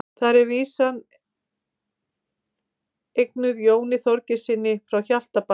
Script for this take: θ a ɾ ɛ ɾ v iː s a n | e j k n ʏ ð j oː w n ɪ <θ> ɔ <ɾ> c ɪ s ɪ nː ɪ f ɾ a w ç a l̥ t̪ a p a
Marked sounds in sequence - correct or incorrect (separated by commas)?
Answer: correct, correct